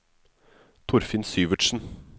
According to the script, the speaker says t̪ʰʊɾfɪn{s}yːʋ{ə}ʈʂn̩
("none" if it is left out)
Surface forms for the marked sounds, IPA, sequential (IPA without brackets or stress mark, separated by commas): s, ə